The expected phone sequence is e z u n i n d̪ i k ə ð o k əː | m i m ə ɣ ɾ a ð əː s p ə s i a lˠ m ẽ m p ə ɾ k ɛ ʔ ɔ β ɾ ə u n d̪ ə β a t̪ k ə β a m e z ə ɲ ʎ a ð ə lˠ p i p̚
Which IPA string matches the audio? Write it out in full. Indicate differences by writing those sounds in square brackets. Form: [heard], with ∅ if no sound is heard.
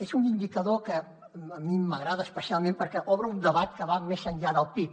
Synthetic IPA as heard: e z u n i n d̪ i k ə ð o k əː | m i m ə ɣ ɾ a ð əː s p ə s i a lˠ m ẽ m p ə ɾ k ɛ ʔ ɔ β ɾ ə u n d̪ ə β a t̪ k ə β a m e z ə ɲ ʎ a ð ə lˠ p i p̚